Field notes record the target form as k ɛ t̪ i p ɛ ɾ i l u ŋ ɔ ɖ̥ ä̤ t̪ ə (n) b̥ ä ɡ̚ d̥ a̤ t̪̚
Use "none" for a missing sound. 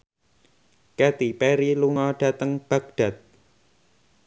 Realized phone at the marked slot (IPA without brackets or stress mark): ŋ